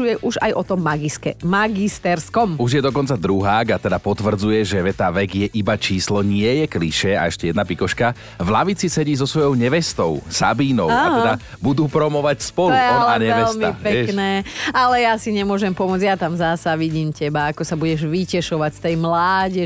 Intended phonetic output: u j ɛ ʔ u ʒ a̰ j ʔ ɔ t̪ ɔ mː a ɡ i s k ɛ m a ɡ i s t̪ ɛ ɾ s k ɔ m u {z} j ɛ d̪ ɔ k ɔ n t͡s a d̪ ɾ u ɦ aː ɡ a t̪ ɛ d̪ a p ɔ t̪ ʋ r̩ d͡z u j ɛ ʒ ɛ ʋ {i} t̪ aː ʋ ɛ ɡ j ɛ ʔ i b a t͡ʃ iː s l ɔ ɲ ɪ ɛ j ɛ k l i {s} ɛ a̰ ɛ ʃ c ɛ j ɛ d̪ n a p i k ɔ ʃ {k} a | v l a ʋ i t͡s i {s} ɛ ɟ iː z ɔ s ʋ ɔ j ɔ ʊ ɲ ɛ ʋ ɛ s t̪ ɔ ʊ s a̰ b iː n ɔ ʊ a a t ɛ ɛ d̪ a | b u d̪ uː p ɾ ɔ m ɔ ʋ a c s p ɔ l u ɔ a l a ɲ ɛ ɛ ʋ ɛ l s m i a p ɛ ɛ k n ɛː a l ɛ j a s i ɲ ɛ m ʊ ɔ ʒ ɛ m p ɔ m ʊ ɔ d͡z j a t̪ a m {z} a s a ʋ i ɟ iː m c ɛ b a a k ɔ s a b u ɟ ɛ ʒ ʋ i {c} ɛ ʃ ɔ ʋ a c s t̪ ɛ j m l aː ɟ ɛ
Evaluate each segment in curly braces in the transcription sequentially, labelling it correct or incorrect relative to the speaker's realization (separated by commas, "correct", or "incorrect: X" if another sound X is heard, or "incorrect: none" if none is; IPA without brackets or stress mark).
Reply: incorrect: ʒ, incorrect: ɛ, incorrect: ʃ, correct, correct, correct, correct